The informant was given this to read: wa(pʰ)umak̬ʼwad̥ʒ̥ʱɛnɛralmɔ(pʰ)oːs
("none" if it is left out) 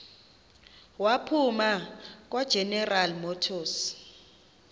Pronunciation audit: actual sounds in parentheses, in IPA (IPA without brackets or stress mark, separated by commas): pʰ, tʰ